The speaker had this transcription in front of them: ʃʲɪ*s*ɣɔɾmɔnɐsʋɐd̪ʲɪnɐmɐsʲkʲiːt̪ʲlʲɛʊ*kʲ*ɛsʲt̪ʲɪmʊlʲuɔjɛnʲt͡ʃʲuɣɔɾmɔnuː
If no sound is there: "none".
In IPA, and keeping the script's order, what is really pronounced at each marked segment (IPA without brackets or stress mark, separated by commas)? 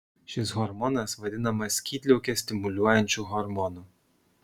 s, kʲ